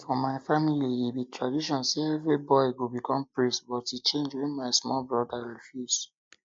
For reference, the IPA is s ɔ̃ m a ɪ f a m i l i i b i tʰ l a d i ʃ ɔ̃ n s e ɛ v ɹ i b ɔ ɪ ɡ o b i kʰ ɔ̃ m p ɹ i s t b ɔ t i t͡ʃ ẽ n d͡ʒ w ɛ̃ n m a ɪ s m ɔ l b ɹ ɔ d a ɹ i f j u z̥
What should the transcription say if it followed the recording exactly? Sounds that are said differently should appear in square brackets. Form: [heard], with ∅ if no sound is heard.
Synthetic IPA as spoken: [f] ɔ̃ m a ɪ f a m i l i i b i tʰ [ɹ] a d i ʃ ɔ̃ n s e ɛ v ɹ i b ɔ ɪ ɡ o b i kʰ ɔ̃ m p ɹ i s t b ɔ t i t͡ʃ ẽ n d͡ʒ w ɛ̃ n m a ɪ s m ɔ l b ɹ ɔ d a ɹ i f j u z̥